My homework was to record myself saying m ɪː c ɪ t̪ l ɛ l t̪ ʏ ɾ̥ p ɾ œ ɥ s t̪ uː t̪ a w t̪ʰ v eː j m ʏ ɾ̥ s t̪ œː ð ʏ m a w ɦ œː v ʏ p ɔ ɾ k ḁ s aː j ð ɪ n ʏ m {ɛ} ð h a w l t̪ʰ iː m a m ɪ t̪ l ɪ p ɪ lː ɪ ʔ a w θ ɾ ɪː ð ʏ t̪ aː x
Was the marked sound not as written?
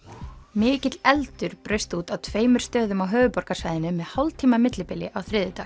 no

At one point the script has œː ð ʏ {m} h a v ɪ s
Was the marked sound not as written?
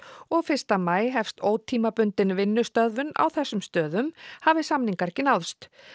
no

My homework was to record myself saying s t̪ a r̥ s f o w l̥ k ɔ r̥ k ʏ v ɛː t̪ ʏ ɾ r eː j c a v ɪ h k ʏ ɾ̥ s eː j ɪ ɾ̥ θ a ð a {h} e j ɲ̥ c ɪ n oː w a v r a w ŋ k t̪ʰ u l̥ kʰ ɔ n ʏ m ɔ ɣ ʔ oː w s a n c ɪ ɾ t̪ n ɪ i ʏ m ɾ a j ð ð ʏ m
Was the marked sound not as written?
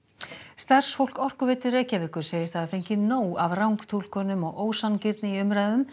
yes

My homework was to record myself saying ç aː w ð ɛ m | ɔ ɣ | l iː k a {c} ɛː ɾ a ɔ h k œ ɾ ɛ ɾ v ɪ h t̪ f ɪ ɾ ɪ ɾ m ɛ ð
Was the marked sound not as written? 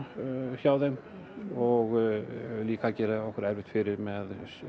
no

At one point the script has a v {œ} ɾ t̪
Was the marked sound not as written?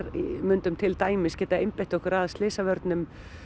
no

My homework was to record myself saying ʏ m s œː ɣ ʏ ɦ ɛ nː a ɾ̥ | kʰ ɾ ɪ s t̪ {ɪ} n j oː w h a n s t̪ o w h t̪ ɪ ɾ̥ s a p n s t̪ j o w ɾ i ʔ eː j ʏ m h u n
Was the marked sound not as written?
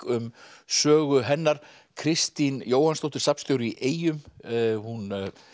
yes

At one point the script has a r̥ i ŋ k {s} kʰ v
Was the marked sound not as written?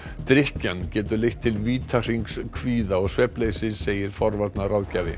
no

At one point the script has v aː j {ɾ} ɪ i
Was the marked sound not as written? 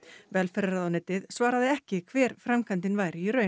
no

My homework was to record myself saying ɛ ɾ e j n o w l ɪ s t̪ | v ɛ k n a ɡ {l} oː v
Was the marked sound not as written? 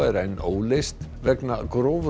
yes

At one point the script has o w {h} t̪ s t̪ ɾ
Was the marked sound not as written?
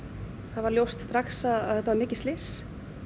yes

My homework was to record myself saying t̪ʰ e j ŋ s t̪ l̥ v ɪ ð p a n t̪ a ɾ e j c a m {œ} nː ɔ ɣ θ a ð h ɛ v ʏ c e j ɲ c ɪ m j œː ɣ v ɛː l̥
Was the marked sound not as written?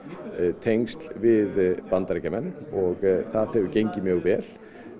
yes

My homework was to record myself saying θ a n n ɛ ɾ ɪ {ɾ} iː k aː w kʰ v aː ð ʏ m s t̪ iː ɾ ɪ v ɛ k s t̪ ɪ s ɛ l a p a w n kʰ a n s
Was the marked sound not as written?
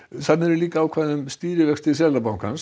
yes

